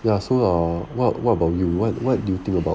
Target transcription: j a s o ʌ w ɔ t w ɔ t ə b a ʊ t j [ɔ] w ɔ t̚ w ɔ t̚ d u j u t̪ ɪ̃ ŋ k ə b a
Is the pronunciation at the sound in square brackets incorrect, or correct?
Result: incorrect